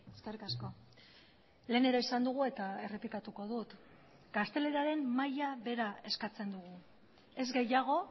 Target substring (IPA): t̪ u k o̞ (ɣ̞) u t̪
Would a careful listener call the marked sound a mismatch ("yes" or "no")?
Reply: yes